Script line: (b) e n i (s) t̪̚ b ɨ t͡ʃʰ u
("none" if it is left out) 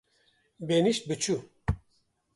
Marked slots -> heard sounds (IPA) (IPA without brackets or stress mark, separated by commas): b, ʃ